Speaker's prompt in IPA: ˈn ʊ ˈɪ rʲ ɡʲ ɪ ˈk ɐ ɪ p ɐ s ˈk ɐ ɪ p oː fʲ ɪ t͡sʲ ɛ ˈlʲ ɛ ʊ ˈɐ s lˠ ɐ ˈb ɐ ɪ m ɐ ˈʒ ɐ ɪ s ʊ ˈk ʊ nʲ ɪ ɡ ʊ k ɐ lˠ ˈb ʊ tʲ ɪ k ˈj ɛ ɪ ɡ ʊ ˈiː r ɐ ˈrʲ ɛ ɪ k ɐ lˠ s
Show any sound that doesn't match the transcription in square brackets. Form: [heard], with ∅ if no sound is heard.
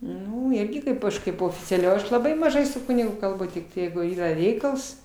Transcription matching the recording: ˈn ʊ ˈɪ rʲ ɡʲ ɪ ˈk ɐ ɪ p ɐ [ʃ] ˈk ɐ ɪ p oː fʲ ɪ t͡sʲ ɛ ˈlʲ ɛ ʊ ˈɐ [ʃ] lˠ ɐ ˈb ɐ ɪ m ɐ ˈʒ ɐ ɪ s ʊ ˈk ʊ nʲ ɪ ɡ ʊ k ɐ lˠ ˈb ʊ tʲ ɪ k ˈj ɛ ɪ ɡ ʊ ˈiː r ɐ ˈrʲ ɛ ɪ k ɐ lˠ s